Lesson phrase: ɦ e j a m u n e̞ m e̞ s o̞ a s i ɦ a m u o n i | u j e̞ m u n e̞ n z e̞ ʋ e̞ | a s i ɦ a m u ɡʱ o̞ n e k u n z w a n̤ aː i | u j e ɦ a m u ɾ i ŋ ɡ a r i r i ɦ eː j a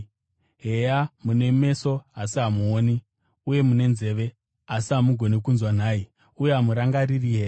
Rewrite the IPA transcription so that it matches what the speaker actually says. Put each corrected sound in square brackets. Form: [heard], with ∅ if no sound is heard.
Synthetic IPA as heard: ɦ e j a m u n e̞ m e̞ s o̞ a s i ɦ a m u o n i | u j e̞ m u n e̞ n z e̞ ʋ e̞ | a s i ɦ a m u ɡʱ o̞ n e k u n z w a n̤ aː i | u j e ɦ a m u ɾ [a] ŋ ɡ a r i r i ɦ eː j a